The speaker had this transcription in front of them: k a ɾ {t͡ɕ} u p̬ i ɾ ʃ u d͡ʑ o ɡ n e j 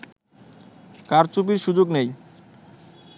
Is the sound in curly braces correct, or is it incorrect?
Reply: correct